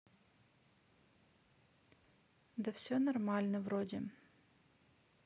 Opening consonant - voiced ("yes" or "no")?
yes